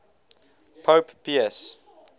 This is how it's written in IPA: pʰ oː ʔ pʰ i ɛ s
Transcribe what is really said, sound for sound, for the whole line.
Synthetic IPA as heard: pʰ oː p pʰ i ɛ s